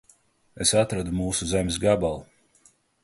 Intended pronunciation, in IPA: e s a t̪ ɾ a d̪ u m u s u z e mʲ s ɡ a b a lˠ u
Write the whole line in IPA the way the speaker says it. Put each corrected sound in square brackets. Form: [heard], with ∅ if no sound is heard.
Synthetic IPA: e s a t̪ ɾ a d̪ u m [uː] s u z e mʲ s ɡ a b a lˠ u